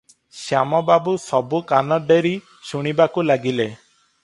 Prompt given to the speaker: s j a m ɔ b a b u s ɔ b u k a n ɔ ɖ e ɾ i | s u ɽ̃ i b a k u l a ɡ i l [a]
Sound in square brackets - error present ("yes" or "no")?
yes